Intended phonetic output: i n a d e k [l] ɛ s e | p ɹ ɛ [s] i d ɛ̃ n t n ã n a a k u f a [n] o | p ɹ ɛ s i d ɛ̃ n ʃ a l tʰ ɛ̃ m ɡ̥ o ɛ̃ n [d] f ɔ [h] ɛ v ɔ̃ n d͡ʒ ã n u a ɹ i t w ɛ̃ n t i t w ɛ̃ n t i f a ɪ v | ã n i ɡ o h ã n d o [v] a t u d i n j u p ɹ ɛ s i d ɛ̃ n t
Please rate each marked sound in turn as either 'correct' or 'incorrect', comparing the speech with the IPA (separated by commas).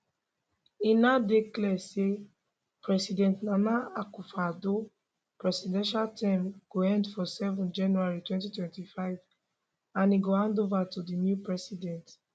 correct, correct, incorrect, correct, incorrect, correct